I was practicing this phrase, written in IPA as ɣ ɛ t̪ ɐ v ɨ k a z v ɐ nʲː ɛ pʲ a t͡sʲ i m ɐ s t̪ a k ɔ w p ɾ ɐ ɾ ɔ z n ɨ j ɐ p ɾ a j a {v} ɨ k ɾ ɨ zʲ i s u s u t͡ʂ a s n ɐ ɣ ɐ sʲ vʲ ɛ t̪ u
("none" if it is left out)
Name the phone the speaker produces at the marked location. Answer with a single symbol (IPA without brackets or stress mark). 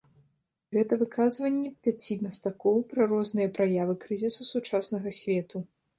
v